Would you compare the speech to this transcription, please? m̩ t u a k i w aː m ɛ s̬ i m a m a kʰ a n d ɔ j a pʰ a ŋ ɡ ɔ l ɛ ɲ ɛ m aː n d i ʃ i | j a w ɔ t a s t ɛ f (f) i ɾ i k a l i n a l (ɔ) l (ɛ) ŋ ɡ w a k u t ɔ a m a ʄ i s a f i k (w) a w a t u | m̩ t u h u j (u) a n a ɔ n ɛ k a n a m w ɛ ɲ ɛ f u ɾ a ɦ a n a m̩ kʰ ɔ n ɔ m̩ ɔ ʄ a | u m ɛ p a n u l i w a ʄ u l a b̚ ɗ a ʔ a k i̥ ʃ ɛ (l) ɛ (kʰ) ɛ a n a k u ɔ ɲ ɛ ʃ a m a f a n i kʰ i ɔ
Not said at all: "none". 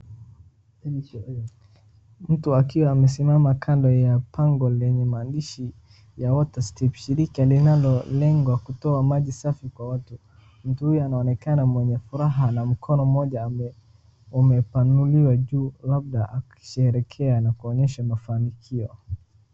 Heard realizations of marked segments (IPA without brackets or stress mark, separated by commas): ʃ, ɔ, ɛ, w, ɔ, ɾ, kʰ